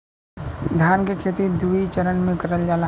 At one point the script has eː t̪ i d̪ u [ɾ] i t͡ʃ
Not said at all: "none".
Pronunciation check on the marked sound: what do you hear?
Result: none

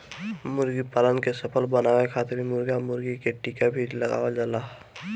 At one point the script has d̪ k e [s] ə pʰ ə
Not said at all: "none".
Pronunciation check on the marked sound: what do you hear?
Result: s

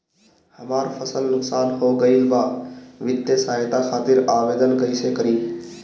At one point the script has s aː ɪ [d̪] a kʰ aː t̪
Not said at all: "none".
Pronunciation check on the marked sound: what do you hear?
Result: t̪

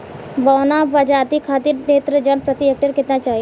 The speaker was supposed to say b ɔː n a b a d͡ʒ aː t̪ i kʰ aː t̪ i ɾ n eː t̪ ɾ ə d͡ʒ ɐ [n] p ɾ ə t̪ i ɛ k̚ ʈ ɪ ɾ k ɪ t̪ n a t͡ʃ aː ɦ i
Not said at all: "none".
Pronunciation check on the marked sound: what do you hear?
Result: n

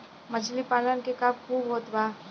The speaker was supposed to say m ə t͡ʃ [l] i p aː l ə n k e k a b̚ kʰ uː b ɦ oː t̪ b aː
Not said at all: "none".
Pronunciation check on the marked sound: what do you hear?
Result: l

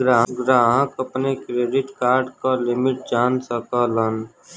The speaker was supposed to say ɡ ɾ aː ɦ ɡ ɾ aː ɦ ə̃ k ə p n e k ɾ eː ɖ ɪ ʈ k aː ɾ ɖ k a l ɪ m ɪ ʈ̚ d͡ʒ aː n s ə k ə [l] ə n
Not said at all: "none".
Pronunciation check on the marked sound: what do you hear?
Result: l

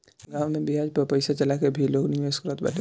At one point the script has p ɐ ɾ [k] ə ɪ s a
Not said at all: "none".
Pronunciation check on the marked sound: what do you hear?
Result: p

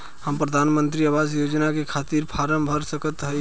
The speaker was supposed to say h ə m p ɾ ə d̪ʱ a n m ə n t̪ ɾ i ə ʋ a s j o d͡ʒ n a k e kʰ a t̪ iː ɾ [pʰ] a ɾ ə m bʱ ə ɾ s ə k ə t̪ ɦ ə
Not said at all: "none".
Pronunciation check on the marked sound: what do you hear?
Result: pʰ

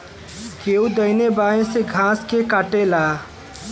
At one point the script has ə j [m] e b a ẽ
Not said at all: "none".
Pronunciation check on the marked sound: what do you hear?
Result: n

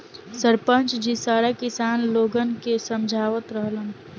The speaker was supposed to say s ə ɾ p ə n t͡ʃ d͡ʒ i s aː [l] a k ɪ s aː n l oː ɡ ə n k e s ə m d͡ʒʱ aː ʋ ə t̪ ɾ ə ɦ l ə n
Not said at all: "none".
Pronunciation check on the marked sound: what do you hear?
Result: ɾ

